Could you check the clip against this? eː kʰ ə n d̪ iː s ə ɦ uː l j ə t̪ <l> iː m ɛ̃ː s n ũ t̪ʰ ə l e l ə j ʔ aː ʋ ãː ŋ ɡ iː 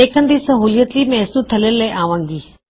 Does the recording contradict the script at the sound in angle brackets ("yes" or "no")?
no